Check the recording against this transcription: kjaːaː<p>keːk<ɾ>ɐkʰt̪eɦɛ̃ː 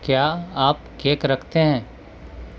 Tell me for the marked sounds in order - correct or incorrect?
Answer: correct, correct

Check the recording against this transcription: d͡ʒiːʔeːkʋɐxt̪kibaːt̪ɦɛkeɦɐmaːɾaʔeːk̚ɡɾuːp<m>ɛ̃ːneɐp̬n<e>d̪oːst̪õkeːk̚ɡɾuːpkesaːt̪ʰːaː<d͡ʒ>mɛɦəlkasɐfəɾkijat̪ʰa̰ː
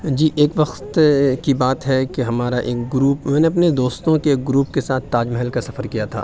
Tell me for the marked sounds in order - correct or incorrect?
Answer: correct, correct, correct

